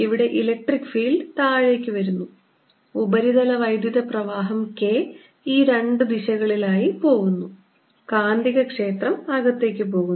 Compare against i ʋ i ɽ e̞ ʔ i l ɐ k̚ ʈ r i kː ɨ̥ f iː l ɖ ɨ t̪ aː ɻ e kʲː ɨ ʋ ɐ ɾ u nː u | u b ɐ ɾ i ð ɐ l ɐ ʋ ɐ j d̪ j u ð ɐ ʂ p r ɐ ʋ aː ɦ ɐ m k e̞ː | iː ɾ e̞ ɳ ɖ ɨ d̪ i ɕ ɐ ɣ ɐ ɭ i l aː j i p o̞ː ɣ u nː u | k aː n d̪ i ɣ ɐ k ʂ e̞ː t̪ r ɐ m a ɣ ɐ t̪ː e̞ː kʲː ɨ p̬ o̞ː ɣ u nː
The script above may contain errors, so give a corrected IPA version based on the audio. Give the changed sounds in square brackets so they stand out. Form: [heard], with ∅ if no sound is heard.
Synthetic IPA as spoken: i ʋ i ɽ e̞ ʔ i l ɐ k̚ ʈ r i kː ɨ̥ f iː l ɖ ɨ t̪ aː ɻ e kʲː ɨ ʋ ɐ ɾ u nː u | u b ɐ ɾ i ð ɐ l ɐ ʋ ɐ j d̪ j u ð ɐ [∅] p r ɐ ʋ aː ɦ ɐ m k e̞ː | iː ɾ e̞ ɳ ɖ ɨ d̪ i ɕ ɐ ɣ ɐ ɭ i l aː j i p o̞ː ɣ u nː u | k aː n d̪ i ɣ ɐ k ʂ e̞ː t̪ r ɐ m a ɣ ɐ t̪ː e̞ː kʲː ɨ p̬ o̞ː ɣ u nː